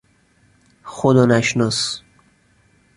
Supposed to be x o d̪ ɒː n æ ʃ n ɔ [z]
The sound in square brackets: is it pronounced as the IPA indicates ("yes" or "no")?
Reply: no